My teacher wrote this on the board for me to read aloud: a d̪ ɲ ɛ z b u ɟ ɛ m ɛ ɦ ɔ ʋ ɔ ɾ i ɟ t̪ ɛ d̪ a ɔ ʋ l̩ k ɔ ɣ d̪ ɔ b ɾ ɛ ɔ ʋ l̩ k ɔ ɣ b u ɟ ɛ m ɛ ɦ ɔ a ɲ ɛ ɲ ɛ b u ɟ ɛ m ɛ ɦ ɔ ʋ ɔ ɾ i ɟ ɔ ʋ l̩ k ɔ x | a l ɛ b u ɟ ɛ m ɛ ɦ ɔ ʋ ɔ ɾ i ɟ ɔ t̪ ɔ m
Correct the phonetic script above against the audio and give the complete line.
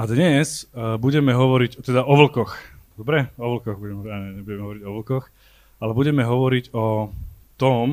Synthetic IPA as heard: a d̪ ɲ ɛ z b u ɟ ɛ m ɛ ɦ ɔ ʋ ɔ ɾ i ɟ t̪ ɛ d̪ a ɔ ʋ l̩ k ɔ x d̪ ɔ b ɾ ɛ ɔ ʋ l̩ k ɔ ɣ b u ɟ ɛ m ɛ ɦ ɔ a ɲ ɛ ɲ ɛ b u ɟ ɛ m ɛ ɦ ɔ ʋ ɔ ɾ i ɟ ɔ ʋ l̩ k ɔ x | a l ɛ b u ɟ ɛ m ɛ ɦ ɔ ʋ ɔ ɾ i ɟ ɔ t̪ ɔ m